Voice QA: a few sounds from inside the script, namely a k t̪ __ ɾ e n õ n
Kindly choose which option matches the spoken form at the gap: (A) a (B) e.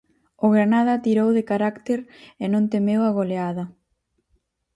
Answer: B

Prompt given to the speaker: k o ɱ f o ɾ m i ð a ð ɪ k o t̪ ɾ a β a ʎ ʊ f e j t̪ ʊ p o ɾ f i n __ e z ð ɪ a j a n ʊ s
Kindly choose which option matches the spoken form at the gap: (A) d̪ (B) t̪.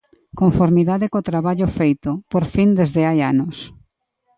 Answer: A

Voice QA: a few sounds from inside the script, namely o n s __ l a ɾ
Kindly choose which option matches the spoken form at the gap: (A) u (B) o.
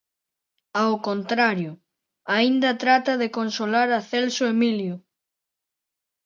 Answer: B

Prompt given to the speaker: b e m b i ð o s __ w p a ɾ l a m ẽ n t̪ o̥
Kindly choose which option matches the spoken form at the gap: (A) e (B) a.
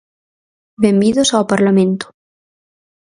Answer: B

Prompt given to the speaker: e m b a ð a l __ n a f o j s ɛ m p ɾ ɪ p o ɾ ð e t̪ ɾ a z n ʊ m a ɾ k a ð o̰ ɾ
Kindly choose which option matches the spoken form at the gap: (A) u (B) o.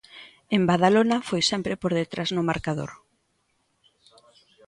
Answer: B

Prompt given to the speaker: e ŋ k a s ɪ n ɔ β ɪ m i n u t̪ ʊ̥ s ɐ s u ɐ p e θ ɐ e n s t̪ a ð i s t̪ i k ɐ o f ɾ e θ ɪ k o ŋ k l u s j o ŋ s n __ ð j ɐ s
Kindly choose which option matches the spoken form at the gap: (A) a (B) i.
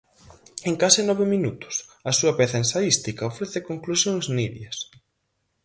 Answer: B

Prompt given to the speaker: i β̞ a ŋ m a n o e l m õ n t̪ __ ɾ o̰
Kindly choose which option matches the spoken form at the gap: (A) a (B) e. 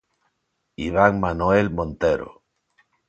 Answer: B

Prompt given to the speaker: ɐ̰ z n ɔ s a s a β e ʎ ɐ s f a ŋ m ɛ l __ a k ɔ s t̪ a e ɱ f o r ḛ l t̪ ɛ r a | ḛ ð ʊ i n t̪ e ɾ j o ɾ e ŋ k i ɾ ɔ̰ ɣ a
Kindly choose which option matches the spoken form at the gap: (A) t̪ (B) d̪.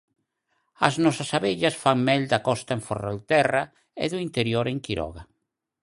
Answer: B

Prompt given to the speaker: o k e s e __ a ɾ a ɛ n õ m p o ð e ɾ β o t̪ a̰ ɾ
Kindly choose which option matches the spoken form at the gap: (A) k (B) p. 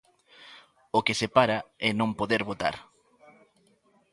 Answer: B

